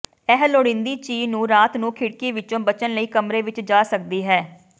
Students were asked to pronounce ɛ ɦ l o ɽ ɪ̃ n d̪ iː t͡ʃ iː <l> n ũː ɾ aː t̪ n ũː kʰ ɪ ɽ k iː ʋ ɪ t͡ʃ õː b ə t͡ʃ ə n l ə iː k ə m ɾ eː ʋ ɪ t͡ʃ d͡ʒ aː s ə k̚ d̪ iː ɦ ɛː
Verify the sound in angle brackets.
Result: incorrect: none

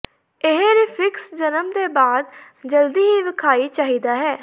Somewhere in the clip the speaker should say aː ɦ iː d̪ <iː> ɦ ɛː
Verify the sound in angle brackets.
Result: incorrect: aː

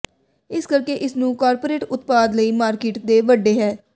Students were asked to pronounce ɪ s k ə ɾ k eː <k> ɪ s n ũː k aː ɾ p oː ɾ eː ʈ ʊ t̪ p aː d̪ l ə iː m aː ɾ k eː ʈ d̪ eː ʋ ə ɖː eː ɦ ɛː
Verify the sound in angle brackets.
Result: incorrect: ʔ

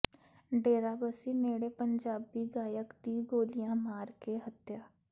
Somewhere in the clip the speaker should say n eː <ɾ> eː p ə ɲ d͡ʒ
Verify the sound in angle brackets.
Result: incorrect: ɽ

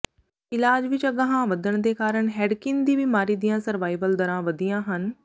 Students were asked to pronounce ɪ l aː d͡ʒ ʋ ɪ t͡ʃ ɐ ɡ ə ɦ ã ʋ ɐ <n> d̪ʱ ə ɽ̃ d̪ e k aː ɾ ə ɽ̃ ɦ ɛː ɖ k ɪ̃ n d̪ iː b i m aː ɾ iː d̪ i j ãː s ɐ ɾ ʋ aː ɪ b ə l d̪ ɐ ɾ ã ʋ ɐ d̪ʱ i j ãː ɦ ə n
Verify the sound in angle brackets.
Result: incorrect: none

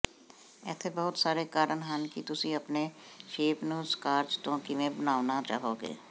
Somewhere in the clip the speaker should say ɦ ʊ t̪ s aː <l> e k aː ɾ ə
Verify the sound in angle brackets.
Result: incorrect: ɾ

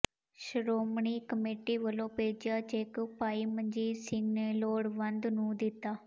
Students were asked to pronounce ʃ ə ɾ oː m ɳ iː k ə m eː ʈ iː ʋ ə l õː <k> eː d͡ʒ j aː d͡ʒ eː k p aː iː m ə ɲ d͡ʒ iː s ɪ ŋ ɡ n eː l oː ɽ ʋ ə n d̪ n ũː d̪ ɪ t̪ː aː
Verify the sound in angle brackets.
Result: incorrect: p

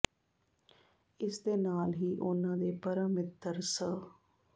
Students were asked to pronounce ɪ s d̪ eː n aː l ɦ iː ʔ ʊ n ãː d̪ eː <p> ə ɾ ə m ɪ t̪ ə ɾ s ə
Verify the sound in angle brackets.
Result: correct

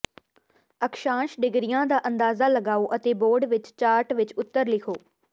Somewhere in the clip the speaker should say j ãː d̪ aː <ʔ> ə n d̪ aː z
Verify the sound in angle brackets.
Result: correct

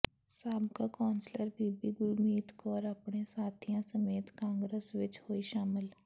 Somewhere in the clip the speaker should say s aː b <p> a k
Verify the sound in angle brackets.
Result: incorrect: k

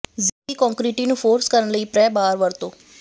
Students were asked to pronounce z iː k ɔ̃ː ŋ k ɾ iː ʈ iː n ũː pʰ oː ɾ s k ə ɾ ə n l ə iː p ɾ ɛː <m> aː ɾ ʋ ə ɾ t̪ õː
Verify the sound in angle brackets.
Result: incorrect: b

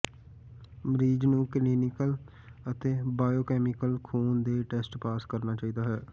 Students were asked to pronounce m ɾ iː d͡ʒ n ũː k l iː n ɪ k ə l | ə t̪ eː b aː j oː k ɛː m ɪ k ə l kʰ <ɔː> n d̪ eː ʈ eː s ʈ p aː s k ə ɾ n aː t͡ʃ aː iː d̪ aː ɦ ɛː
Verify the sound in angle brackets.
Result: incorrect: uː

